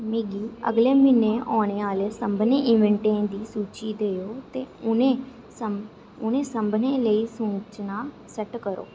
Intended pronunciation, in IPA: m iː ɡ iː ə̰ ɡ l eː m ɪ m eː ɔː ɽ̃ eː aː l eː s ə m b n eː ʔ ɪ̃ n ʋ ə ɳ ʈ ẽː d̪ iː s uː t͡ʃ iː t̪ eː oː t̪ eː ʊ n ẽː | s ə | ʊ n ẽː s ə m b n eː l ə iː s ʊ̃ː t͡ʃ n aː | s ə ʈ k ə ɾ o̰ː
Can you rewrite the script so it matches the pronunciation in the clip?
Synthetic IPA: m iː ɡ iː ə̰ ɡ l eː m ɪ n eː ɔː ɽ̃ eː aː l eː s ə m b n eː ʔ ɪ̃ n ʋ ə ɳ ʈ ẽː d̪ iː s uː t͡ʃ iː d̪ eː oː t̪ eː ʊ n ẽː | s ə | ʊ n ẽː s ə m b n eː l ə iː s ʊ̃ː t͡ʃ n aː | s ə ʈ k ə ɾ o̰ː